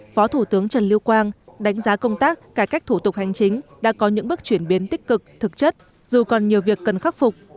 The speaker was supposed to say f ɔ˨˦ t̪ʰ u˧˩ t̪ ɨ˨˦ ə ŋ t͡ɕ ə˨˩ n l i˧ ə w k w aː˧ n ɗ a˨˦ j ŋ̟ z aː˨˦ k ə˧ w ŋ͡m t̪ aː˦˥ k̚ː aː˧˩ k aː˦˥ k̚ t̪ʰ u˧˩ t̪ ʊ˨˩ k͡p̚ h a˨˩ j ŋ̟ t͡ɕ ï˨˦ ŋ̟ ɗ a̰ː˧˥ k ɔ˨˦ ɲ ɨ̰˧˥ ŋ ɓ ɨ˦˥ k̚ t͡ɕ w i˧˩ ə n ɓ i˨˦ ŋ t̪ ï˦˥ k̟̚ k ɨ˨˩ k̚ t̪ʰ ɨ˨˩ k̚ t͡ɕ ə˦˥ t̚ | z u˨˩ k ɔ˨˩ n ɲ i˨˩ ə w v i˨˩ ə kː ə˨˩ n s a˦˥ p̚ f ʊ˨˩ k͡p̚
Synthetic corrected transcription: f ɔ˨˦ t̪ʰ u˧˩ t̪ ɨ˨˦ ə ŋ t͡ɕ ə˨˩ n l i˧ ə w k w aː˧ n ɗ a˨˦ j ŋ̟ z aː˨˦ k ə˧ w ŋ͡m t̪ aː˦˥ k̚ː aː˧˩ k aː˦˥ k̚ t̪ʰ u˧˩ t̪ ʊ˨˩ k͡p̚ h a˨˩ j ŋ̟ t͡ɕ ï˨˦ ŋ̟ ɗ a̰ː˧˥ k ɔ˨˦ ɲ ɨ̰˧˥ ŋ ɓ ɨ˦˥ k̚ t͡ɕ w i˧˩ ə n ɓ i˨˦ n t̪ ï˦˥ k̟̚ k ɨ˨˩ k̚ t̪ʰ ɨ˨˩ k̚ t͡ɕ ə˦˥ t̚ | z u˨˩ k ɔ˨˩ n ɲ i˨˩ ə w v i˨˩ ə kː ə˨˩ n x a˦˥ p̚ f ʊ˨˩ k͡p̚